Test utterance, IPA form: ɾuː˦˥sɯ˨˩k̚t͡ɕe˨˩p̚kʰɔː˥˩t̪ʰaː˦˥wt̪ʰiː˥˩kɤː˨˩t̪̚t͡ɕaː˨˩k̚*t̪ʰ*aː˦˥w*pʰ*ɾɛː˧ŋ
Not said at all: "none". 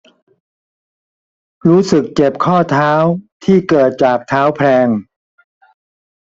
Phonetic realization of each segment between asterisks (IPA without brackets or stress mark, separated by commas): t̪ʰ, pʰ